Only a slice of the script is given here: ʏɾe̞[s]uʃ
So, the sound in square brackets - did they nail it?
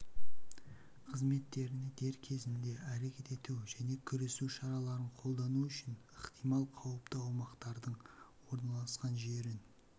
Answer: yes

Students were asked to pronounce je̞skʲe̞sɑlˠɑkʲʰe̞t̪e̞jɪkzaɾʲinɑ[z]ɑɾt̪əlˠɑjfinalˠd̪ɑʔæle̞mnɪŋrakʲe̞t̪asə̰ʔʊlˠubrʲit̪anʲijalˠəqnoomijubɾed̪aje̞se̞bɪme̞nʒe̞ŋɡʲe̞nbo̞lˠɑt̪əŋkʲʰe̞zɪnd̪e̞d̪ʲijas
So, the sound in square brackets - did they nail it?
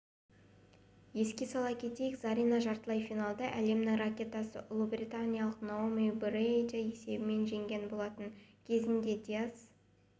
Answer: no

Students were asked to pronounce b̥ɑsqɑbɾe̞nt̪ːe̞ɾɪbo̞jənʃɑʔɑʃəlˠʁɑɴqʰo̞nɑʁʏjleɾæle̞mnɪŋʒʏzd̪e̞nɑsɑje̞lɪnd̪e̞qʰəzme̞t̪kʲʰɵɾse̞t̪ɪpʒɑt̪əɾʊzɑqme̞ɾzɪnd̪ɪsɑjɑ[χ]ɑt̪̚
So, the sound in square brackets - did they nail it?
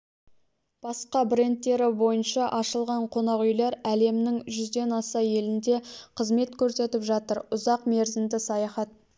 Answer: yes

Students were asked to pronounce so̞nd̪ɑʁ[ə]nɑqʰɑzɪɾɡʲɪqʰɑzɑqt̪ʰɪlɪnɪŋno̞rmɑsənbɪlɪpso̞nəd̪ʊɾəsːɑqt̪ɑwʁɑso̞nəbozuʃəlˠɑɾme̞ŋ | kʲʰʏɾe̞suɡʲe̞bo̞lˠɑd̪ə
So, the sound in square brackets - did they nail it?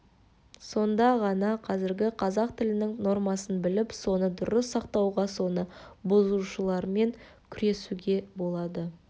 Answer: no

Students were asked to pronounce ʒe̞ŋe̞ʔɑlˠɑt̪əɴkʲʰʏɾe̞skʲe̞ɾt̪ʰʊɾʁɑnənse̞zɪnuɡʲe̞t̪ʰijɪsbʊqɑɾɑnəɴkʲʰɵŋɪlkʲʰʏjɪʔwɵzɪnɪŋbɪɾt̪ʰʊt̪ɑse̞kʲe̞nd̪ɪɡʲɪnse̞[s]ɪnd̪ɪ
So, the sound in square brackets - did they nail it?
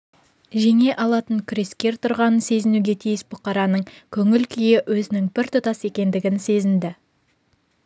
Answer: no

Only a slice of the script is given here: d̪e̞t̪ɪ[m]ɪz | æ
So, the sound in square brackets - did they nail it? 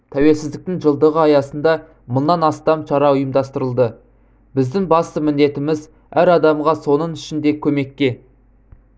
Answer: yes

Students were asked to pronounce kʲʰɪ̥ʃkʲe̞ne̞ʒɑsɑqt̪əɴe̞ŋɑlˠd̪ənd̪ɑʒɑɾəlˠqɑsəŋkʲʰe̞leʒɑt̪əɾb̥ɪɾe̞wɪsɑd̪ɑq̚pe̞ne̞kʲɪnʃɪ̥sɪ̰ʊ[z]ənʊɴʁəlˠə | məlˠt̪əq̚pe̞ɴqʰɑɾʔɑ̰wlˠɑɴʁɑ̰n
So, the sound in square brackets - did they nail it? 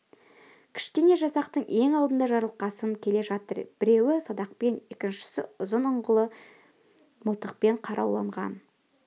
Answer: yes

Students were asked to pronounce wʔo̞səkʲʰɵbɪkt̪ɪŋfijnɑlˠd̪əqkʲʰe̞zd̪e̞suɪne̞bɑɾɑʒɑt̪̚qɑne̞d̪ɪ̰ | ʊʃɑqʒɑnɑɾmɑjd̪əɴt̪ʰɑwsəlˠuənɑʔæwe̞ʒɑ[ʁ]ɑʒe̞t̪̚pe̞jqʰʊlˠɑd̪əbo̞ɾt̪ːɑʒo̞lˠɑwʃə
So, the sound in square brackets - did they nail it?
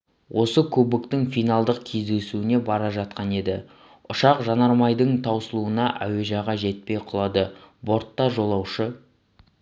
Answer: yes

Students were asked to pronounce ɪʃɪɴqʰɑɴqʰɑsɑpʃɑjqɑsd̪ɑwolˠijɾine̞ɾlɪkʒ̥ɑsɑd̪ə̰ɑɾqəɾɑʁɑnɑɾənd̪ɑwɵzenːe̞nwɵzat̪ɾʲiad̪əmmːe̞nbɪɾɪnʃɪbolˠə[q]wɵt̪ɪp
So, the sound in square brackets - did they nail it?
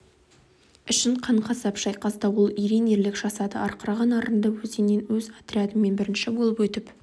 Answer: no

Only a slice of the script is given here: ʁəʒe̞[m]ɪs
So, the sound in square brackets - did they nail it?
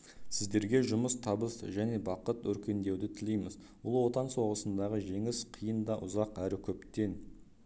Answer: no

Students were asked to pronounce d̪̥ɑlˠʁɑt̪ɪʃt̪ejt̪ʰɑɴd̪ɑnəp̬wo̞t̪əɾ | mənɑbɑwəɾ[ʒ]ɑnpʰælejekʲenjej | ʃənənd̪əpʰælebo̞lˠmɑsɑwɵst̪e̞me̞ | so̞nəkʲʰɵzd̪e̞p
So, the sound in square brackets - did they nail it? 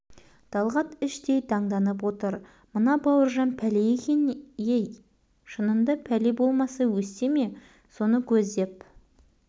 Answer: yes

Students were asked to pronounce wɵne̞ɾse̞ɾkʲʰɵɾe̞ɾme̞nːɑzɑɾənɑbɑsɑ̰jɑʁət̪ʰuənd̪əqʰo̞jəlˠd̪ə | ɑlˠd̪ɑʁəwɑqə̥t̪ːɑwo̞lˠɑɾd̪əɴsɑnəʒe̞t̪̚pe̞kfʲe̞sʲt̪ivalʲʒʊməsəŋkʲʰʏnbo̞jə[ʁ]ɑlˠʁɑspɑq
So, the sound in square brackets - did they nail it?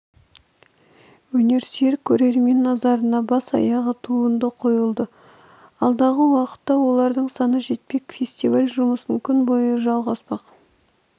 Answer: no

